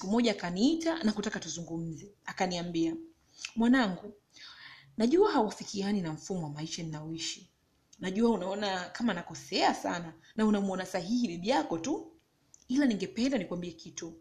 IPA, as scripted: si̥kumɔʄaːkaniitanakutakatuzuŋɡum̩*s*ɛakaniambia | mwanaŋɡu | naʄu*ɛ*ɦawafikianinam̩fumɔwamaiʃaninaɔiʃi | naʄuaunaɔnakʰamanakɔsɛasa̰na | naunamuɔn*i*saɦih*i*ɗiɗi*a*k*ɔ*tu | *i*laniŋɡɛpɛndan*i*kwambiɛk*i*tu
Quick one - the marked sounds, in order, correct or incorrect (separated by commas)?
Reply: incorrect, incorrect, incorrect, correct, correct, correct, correct, correct, correct